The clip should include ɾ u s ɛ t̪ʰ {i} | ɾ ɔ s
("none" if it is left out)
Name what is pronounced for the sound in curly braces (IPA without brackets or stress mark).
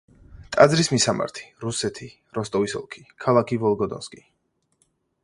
i